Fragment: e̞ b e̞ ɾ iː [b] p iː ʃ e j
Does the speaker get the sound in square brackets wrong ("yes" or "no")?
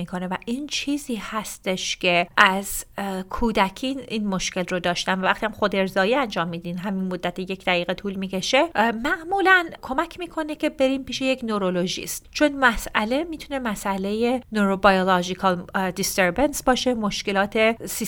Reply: yes